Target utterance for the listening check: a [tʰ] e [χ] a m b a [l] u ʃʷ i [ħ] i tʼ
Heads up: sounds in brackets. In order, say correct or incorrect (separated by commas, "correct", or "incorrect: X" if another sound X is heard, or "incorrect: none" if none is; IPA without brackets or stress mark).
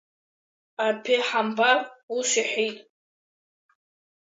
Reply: incorrect: pʰ, incorrect: ħ, incorrect: r, correct